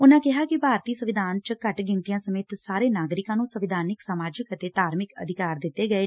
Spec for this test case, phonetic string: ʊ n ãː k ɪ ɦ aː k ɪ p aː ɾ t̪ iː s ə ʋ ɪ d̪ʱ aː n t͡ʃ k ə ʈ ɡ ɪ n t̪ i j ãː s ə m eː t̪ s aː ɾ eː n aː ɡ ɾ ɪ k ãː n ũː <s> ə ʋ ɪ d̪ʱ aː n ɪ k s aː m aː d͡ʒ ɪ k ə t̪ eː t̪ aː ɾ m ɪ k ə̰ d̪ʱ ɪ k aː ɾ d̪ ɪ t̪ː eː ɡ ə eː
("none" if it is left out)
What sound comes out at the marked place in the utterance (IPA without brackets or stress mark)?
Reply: s